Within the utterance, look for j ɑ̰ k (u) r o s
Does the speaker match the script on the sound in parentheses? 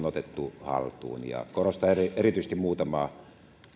no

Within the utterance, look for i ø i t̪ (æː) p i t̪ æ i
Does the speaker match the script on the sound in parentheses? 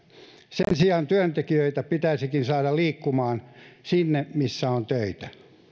no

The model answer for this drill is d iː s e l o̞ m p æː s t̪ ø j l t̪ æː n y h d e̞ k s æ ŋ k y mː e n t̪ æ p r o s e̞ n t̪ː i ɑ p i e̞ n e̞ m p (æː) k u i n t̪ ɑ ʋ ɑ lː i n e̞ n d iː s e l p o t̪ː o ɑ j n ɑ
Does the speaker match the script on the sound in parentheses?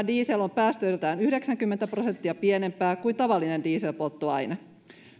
yes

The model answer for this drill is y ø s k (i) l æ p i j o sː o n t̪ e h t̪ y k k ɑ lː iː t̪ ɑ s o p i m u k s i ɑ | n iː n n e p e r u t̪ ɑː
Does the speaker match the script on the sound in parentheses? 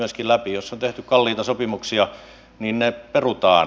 yes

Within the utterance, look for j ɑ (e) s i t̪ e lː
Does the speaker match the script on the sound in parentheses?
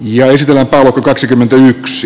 yes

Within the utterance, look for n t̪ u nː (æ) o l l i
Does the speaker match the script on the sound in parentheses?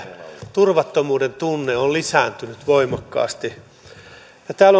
no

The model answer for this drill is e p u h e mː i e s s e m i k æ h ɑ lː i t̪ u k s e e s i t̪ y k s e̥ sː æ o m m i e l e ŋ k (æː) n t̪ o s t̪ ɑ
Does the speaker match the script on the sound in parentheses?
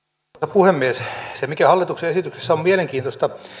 no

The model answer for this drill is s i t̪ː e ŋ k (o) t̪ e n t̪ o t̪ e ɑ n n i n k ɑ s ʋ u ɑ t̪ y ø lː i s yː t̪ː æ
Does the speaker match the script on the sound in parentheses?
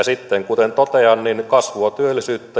no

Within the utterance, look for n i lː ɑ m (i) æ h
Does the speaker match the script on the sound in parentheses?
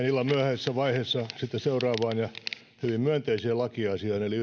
no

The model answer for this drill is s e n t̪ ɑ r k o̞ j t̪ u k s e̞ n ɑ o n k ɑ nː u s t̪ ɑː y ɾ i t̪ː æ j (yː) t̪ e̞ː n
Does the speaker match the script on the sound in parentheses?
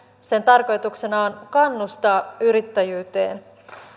yes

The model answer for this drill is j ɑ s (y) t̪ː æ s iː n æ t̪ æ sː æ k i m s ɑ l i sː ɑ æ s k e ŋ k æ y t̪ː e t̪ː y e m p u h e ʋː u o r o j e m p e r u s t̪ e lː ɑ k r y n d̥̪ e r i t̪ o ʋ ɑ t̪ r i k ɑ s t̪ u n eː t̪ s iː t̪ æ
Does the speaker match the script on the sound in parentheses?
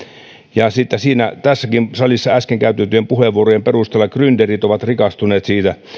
no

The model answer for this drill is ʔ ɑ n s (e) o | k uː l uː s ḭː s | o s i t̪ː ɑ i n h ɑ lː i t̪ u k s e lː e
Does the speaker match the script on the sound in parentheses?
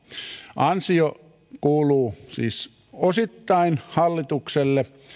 no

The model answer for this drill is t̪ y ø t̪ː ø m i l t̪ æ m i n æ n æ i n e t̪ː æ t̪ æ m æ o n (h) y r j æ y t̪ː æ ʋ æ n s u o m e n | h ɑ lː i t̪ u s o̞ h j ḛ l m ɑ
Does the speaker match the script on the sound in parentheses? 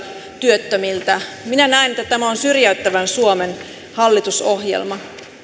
no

